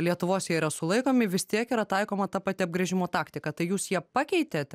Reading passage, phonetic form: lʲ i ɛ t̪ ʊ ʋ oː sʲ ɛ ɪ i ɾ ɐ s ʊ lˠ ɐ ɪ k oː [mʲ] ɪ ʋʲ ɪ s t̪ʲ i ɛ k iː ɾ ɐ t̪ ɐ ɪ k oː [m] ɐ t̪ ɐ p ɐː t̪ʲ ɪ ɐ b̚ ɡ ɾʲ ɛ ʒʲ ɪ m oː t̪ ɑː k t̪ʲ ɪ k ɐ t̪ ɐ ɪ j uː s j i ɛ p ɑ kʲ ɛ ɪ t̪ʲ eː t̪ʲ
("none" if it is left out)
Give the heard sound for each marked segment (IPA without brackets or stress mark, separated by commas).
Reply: mʲ, m